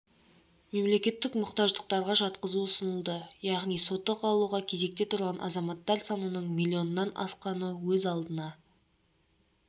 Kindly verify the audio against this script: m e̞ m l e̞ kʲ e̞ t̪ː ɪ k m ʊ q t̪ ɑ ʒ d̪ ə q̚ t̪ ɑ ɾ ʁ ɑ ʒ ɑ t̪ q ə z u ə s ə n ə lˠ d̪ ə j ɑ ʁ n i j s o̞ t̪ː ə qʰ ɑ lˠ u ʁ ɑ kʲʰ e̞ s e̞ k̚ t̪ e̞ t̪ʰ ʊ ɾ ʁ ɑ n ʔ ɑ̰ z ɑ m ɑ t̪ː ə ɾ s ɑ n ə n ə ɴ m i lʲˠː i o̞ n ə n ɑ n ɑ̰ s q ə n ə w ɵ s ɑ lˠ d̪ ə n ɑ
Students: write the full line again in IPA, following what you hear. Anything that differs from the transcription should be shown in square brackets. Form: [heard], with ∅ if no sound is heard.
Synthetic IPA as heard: m e̞ m l e̞ kʲ e̞ t̪ː ɪ k m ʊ q t̪ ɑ ʒ d̪ ə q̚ t̪ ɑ ɾ ʁ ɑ ʒ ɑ t̪ q ə z u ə s ə n ə lˠ d̪ ə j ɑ ʁ n i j s o̞ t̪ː ə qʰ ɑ lˠ u ʁ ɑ kʲʰ e̞ [z] e̞ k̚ t̪ e̞ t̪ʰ ʊ ɾ ʁ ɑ n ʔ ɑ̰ z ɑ m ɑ t̪ː [ɑ] ɾ s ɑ n ə n ə ɴ m i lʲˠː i o̞ n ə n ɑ n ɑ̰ s q [ɑ] n ə w ɵ [z] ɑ lˠ d̪ ə n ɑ